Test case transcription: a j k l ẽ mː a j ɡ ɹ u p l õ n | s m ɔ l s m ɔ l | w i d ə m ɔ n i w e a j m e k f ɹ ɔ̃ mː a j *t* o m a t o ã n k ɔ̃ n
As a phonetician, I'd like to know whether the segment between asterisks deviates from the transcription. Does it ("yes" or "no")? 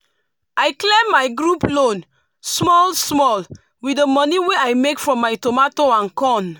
no